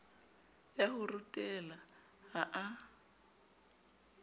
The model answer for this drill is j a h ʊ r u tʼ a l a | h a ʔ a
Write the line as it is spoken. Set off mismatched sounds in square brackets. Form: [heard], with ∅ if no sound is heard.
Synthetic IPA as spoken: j a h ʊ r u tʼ [ɛ] l a | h a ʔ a